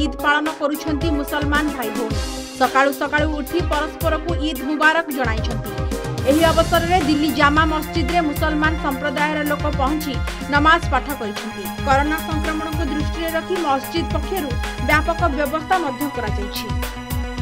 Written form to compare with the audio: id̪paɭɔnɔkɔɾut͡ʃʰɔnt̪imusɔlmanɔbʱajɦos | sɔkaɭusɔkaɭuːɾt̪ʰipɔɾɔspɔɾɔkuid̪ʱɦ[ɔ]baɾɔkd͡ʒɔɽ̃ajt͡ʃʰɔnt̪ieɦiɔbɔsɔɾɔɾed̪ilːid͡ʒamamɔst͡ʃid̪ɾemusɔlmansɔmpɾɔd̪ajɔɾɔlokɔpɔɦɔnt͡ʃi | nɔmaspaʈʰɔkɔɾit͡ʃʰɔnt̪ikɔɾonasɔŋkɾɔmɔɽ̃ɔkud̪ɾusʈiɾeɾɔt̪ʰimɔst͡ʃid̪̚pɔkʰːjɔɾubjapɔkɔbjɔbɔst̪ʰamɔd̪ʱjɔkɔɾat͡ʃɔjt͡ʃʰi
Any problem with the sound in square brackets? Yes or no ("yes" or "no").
yes